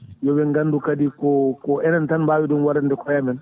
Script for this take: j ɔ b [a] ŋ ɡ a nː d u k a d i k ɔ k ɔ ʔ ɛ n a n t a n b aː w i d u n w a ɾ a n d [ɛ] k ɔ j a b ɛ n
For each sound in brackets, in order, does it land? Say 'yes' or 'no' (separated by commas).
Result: no, yes